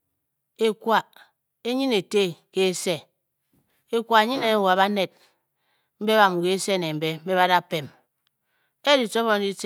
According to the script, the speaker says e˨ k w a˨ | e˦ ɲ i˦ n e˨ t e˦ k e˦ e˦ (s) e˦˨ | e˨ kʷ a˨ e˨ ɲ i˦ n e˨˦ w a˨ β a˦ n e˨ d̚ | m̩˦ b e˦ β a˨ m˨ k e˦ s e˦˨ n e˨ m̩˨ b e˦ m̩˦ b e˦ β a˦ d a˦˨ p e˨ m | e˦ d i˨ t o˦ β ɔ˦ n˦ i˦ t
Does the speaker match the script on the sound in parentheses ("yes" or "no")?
yes